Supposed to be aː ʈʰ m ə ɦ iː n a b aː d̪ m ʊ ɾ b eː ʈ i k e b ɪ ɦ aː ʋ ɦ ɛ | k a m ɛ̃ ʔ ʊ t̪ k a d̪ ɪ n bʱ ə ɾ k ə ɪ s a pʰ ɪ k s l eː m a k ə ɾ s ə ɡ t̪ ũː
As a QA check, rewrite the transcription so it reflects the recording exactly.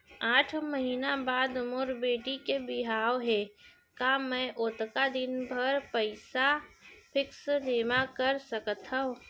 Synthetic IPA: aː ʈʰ m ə ɦ iː n a b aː d̪ m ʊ ɾ b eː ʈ i k e b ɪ ɦ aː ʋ ɦ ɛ | k a m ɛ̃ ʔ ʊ t̪ k a d̪ ɪ n bʱ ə ɾ p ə ɪ s a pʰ ɪ k s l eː m a k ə ɾ s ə k t̪ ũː